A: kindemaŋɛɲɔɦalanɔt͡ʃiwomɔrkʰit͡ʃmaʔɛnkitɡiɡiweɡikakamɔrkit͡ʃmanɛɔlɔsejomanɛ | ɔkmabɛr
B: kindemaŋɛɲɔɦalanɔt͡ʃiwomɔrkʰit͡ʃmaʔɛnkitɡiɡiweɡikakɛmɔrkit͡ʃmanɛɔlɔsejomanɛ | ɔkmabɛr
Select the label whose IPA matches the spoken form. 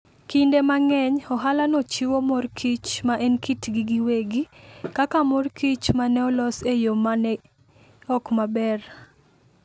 A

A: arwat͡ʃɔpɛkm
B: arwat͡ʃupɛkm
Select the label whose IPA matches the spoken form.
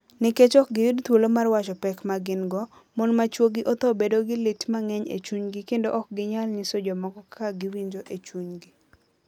A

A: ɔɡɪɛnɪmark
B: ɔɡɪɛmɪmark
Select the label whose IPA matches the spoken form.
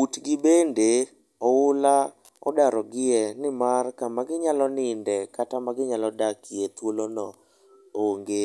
A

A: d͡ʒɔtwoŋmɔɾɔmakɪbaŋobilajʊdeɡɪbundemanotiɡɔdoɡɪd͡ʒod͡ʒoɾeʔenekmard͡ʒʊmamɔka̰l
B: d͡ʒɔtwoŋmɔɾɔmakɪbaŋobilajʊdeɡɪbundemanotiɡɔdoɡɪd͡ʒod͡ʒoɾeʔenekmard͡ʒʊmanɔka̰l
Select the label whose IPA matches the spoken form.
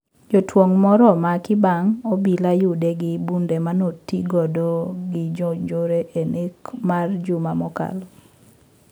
A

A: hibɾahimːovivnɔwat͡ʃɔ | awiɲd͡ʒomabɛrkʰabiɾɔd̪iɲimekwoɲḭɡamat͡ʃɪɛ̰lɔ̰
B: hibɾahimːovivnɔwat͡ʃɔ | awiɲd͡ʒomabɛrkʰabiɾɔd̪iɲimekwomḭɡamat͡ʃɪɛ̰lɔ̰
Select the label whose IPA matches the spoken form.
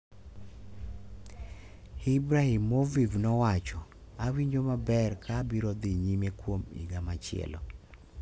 B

